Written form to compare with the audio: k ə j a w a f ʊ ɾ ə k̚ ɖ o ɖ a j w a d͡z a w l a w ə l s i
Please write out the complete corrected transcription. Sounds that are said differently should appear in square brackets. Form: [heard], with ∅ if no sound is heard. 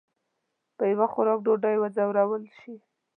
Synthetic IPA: [p] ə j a w a [x] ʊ ɾ [ɑ] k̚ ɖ o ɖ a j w a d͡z a w [ɾ] a w ə l [ʃ] i